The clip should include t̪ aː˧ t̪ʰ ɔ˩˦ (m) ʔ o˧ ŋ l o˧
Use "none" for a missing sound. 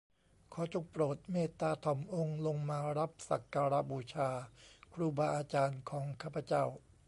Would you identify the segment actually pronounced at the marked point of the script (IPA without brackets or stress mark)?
m